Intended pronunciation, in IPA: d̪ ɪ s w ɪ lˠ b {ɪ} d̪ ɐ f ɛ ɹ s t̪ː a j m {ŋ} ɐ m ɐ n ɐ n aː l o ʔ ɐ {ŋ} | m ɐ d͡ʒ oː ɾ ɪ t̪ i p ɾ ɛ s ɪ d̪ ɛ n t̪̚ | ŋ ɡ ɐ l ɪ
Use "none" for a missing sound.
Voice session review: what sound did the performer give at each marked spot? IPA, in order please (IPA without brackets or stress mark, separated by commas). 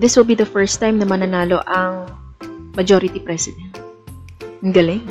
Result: i, n, ŋ